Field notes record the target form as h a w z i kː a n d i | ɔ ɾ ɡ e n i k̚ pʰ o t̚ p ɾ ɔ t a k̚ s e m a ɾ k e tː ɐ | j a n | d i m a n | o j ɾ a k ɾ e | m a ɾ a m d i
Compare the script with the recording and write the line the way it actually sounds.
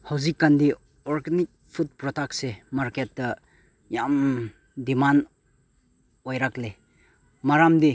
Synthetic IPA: h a w z i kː a n d i | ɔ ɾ ɡ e n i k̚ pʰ u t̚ p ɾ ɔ t a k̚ s e m a ɾ k e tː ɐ | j a m | d i m a n | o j ɾ a k l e | m a ɾ a m d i